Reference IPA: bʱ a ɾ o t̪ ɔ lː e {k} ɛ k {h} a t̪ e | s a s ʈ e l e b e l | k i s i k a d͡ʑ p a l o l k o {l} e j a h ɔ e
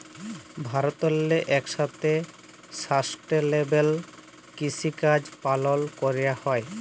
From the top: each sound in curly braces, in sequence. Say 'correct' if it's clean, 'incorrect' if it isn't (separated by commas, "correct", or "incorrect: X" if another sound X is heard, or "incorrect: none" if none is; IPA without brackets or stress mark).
incorrect: ʔ, incorrect: ʃ, incorrect: ɾ